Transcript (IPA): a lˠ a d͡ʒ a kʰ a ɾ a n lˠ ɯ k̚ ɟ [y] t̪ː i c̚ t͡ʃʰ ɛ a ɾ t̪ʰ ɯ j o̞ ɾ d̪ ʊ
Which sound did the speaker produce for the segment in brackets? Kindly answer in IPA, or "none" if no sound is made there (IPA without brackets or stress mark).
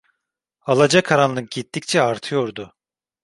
i